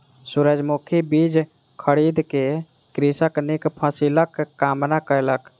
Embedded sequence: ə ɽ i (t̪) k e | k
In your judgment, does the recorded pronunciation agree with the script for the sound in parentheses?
no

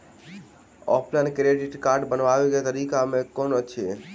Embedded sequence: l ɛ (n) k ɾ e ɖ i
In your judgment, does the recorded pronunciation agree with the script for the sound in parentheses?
yes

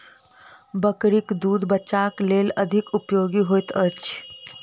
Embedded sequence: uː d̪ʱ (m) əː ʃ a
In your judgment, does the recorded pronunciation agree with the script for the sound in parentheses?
no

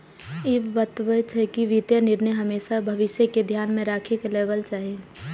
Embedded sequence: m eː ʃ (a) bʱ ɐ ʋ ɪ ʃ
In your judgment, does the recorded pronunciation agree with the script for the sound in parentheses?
yes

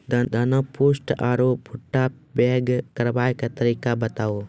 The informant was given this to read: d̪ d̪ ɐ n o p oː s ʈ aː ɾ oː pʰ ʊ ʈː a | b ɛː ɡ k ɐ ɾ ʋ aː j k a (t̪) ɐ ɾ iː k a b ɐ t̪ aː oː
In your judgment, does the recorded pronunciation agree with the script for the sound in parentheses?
yes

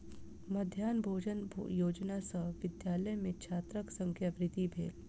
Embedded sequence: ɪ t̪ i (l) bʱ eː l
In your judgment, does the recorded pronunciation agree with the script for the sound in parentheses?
no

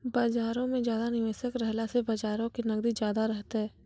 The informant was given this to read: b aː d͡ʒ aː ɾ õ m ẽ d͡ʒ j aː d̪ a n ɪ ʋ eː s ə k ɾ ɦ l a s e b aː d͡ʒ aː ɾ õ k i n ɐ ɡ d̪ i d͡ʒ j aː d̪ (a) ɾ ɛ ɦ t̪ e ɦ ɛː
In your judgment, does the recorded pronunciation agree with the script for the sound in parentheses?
yes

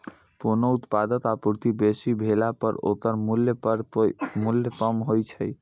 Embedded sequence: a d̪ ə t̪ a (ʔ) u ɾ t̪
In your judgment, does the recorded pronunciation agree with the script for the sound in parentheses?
no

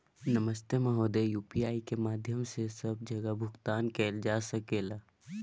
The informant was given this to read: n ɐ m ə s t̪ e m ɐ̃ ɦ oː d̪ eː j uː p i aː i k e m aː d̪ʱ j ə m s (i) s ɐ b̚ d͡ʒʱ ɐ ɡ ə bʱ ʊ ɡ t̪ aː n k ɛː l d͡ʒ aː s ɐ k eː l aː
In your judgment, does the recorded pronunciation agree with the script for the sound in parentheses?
no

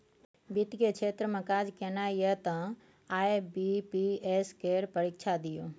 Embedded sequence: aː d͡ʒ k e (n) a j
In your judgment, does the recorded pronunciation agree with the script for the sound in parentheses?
yes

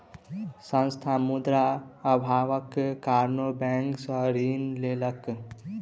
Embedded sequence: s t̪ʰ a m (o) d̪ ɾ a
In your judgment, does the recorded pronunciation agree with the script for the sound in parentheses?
no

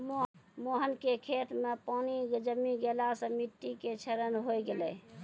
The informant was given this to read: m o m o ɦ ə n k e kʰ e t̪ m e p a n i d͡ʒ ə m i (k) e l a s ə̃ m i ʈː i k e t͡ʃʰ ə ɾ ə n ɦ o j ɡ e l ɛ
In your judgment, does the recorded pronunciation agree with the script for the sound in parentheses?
no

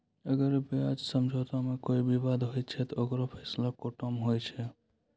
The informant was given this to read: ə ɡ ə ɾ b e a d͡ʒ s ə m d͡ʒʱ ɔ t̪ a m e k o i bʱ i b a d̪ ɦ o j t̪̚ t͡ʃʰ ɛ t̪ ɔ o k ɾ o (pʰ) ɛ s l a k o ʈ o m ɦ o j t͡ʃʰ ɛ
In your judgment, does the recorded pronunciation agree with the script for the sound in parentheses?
yes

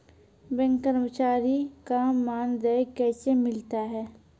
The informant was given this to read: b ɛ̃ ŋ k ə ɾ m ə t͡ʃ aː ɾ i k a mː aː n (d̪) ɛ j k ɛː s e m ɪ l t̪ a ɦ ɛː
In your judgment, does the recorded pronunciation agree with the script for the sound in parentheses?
yes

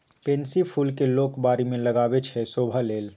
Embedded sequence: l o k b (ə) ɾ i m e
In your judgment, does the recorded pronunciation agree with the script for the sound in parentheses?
no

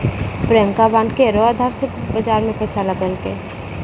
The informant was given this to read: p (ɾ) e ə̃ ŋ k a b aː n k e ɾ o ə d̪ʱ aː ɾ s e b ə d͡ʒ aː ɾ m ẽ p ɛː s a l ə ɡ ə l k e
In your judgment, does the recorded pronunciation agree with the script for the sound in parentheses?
yes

